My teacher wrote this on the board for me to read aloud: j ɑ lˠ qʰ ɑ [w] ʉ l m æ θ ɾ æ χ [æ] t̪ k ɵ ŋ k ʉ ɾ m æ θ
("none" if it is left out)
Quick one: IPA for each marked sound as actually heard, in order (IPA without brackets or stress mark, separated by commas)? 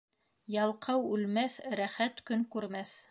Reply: w, æ